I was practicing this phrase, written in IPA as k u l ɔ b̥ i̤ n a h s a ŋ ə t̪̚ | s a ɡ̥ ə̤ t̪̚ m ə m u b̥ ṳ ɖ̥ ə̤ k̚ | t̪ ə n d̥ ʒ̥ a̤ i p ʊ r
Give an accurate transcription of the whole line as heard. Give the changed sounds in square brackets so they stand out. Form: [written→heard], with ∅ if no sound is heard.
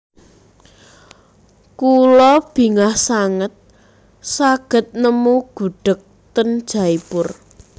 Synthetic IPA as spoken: k u l ɔ b̥ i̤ [n→ŋ] a h s a ŋ ə t̪̚ | s a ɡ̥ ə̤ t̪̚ [m→n] ə m u [b̥→ɡ̥] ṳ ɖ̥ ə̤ k̚ | t̪ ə n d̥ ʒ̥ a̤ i p ʊ r